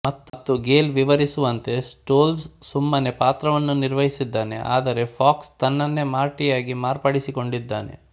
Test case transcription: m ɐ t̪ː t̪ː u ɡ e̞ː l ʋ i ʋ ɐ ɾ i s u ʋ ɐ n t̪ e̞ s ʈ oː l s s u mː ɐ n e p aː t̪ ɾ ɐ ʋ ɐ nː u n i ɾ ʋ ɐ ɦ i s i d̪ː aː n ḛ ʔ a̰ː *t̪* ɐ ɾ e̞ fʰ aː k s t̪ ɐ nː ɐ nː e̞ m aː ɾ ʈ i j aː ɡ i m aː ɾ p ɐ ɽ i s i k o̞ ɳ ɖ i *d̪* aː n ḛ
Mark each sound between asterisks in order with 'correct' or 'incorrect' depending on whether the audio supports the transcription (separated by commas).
incorrect, incorrect